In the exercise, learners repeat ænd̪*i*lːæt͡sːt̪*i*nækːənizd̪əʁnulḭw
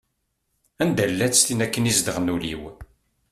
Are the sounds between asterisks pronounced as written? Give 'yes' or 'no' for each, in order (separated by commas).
no, yes